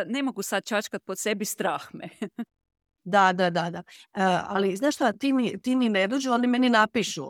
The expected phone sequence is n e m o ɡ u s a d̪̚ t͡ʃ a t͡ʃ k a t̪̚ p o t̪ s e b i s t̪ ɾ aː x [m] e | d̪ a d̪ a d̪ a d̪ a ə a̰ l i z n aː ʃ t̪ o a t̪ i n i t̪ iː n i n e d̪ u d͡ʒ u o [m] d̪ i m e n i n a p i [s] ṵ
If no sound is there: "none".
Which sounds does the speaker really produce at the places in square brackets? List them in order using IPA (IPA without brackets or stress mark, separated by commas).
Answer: m, n, ʃ